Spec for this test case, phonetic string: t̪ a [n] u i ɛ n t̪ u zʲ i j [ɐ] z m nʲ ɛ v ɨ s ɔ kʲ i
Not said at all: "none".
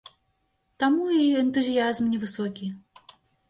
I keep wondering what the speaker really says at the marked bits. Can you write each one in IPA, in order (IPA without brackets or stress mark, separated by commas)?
m, a